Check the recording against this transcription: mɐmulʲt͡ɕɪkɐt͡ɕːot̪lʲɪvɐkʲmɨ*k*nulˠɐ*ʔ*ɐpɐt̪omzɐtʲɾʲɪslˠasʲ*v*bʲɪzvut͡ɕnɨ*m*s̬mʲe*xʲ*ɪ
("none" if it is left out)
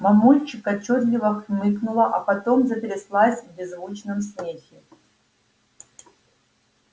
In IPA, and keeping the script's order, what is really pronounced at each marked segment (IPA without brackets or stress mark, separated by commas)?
k, ʔ, v, m, xʲ